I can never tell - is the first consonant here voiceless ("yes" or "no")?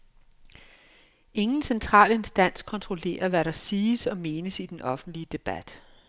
no